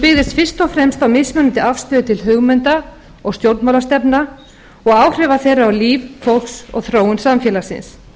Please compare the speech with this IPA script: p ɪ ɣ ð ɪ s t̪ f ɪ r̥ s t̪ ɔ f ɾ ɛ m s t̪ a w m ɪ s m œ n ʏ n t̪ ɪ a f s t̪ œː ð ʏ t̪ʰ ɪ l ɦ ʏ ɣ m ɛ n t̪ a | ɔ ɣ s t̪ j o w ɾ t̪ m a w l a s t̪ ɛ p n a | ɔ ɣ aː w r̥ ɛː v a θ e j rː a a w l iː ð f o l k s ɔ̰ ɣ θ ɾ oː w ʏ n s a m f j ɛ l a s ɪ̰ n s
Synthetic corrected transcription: p ɪ ɣ ð ɪ s t̪ f ɪ r̥ s t̪ ɔ f ɾ ɛ m s t̪ a w m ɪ s m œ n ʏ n t̪ ɪ a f s t̪ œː ð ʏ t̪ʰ ɪ l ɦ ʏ ɣ m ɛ n t̪ a | ɔ ɣ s t̪ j o w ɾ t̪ m a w l a s t̪ ɛ p n a | ɔ ɣ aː w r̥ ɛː v a θ e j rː a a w l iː v f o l k s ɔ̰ ɣ θ ɾ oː w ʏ n s a m f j ɛ l a s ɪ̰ n s